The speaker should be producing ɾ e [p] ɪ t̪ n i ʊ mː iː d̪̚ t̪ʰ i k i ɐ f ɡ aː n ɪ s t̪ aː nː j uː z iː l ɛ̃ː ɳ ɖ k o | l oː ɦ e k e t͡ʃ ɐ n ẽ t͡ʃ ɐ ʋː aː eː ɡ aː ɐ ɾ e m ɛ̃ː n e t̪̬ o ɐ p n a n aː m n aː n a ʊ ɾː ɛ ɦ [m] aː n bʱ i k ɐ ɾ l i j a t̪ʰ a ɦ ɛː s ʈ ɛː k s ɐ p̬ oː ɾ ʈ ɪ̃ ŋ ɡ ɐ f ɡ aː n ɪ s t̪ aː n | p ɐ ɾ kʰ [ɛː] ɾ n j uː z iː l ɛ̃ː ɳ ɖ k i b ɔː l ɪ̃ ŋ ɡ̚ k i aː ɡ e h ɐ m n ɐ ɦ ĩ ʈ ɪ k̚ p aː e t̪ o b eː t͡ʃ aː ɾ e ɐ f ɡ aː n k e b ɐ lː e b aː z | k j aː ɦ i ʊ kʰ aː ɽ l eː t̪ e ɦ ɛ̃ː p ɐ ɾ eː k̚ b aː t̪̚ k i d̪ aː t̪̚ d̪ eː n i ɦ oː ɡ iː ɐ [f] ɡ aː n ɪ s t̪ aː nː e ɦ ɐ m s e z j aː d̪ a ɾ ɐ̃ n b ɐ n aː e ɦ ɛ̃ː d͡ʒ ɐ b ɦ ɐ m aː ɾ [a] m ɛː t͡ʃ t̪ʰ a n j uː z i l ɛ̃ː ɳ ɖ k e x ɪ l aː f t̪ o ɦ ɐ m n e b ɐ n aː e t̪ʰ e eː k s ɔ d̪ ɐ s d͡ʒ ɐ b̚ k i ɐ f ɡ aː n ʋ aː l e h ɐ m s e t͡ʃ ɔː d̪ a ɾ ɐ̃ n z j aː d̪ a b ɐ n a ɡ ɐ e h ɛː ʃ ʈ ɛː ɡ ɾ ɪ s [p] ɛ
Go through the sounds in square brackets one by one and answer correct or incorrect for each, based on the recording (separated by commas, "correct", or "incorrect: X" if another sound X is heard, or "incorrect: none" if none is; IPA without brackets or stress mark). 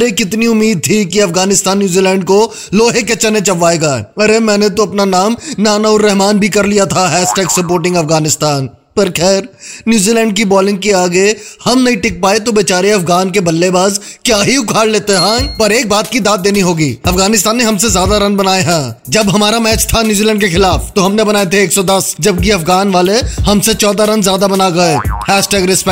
incorrect: k, correct, correct, correct, correct, correct